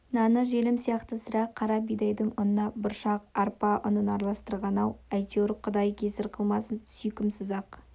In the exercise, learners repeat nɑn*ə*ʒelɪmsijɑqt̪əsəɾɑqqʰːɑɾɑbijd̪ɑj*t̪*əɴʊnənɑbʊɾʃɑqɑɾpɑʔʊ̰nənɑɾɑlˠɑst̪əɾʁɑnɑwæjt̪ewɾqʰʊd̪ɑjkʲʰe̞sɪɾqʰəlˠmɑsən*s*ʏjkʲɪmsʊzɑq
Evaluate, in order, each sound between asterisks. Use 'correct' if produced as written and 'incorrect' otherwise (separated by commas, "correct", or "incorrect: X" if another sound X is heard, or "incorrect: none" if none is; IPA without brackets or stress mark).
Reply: correct, incorrect: d̪, correct